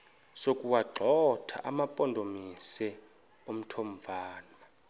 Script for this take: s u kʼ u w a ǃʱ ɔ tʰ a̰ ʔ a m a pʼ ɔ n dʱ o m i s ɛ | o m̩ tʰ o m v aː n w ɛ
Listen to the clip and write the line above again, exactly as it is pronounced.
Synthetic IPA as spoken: s o kʼ u w a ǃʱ ɔ tʰ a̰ ʔ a m a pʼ ɔ n dʱ o m i s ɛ | o m̩ tʰ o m v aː n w a